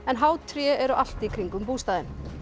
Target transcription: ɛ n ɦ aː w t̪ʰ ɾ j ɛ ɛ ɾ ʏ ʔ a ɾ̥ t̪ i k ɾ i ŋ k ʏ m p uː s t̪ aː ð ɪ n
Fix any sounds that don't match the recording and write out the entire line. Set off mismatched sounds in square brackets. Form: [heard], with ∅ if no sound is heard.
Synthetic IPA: ɛ n ɦ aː w t̪ʰ ɾ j ɛ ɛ ɾ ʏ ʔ a [l̥] t̪ i [kʰ] ɾ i ŋ k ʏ m p uː s t̪ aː ð ɪ n